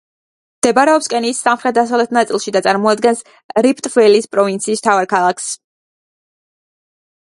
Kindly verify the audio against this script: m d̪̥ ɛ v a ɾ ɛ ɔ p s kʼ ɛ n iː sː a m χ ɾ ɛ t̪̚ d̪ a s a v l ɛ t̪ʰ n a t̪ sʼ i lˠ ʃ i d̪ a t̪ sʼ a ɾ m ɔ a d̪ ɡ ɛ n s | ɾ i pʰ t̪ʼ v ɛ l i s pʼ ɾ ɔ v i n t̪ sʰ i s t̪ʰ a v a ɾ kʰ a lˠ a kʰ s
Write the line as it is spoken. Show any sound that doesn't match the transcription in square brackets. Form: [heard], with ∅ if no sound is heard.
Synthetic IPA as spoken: m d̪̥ ɛ [b] a ɾ ɛ ɔ p s kʼ ɛ n iː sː a m χ ɾ ɛ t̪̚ d̪ a s a v l ɛ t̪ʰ n a t̪ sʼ i lˠ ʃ i d̪ a t̪ sʼ a ɾ m ɔ a d̪ ɡ ɛ n s | ɾ i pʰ t̪ʼ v ɛ l i s pʼ ɾ ɔ v i n t̪ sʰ [iː] s t̪ʰ a v a ɾ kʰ a lˠ a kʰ s